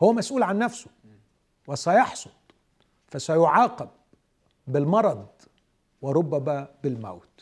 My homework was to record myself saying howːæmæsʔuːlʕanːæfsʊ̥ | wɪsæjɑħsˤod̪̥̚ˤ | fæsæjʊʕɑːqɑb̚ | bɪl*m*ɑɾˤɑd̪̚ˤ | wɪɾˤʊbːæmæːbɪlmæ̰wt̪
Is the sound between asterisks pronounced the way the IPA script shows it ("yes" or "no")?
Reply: yes